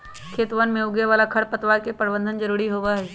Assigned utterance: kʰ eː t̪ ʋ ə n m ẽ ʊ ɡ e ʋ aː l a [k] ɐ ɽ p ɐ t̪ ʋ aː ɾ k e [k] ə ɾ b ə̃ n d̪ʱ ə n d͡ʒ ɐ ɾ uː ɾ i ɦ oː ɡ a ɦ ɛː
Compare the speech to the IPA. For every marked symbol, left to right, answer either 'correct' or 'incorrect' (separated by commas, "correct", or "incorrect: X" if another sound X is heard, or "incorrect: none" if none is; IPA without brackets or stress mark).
incorrect: kʰ, incorrect: p